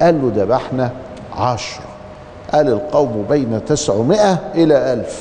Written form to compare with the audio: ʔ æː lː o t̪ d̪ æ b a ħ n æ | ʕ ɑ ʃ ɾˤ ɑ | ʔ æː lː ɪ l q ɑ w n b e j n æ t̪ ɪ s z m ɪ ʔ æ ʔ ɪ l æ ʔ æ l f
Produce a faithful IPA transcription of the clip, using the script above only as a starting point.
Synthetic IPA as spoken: ʔ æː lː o d̪ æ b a ħ n æ | ʕ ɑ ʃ ɾˤ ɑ | ʔ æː l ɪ l q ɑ w m b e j n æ t̪ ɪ s ʕ m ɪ ʔ æ ʔ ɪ l æ ʔ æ l f